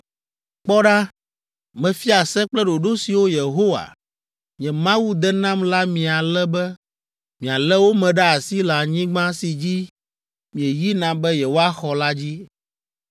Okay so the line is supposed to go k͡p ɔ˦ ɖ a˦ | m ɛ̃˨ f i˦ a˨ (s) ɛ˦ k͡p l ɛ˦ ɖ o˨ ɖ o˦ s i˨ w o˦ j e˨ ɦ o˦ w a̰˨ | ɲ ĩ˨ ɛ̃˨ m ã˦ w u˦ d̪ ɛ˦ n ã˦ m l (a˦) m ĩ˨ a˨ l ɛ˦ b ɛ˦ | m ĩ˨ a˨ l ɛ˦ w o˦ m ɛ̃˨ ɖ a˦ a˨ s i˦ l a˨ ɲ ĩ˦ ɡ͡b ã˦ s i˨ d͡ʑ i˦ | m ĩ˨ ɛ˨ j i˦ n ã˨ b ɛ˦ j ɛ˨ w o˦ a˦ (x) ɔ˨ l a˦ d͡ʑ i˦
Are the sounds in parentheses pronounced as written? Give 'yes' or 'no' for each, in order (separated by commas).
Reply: yes, yes, yes